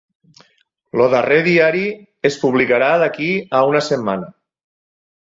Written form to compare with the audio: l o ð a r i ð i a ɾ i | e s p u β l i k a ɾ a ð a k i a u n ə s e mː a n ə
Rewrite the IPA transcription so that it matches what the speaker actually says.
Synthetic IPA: l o ð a r e ð i a ɾ i | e s p u β l i k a ɾ a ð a k i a u n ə s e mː a n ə